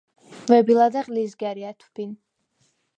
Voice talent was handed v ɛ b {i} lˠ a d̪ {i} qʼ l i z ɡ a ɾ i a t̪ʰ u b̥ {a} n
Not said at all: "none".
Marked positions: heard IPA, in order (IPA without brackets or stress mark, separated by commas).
i, a, i